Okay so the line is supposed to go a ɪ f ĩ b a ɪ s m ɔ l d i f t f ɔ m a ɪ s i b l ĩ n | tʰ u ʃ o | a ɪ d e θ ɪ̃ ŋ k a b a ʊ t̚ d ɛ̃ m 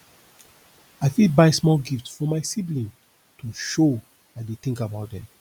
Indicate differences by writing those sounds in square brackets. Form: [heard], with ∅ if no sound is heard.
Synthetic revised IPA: a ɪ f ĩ b a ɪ s m ɔ l [ɡ] i f t f ɔ m a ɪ s i b l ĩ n | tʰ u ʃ o | a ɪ d e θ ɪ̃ ŋ k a b a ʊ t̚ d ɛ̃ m